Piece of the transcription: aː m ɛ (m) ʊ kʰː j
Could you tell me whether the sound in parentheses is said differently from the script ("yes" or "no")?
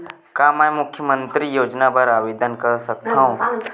no